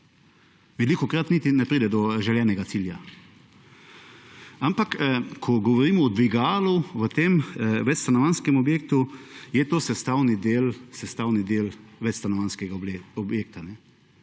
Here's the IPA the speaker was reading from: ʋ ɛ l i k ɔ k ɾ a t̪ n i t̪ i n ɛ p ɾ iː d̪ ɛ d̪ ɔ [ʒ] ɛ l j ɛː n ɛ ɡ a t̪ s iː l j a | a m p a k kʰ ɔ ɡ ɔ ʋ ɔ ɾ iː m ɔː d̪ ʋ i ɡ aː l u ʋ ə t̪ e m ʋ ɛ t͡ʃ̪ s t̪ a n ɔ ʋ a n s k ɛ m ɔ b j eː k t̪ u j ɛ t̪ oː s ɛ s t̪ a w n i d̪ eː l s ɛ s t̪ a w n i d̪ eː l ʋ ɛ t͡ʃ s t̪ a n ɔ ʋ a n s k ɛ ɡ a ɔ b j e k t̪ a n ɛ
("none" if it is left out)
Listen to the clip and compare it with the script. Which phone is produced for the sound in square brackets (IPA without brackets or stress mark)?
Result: ʒ